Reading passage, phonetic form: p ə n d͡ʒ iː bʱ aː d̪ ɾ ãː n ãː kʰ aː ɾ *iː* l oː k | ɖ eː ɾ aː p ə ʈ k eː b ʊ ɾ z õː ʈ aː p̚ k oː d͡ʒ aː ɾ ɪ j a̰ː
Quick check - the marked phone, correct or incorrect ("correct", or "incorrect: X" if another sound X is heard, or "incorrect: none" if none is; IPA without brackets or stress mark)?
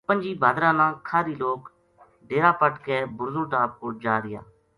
correct